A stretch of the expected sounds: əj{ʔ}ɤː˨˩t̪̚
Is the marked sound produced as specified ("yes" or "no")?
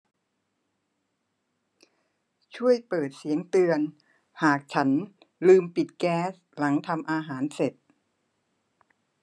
no